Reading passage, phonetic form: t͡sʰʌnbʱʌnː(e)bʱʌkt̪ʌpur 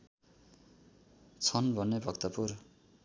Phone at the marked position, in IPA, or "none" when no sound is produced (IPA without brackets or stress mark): e